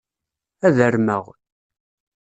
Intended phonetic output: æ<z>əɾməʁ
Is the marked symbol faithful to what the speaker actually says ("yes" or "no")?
no